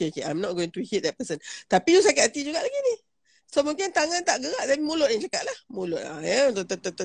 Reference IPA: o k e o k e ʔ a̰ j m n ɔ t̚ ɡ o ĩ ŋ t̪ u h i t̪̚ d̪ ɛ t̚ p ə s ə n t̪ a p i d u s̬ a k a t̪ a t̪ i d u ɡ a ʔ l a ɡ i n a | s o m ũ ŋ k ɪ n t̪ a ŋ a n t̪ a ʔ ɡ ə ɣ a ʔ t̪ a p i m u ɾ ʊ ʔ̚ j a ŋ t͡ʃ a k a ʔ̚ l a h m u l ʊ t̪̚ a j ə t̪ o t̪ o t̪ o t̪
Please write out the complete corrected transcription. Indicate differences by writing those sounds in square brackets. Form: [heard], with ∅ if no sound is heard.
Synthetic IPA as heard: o k e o k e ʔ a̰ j m n ɔ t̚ ɡ o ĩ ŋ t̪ u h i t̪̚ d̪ ɛ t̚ p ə s ə n t̪ a p i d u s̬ a k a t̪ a t̪ i [d͡ʒ] u ɡ a ʔ l a ɡ i n [i] | s o m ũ ŋ k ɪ n t̪ a ŋ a n t̪ a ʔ ɡ ə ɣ a ʔ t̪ a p i m u [l] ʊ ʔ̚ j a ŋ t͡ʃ a k a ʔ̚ l a h m u l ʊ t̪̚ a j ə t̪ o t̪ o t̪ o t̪